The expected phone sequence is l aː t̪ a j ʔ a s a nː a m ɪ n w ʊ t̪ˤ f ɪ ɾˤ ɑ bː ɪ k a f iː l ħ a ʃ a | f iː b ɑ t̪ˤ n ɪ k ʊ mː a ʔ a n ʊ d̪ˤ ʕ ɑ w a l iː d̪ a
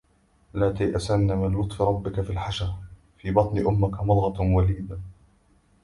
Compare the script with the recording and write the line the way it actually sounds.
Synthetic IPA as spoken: l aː t̪ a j ʔ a s a nː a m ɪ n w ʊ t̪ˤ f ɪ ɾˤ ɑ bː ɪ k a f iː l ħ a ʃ a | f iː b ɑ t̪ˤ n ɪ ʔ ʊ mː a k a m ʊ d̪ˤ ɣ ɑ w a l iː d̪ a